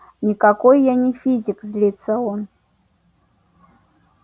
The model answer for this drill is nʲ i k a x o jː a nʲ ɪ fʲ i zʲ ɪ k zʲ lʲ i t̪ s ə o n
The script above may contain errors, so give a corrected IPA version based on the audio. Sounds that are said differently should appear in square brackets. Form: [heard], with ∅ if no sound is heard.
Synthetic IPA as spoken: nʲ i k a [k] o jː a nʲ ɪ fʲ i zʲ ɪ k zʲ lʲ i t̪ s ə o n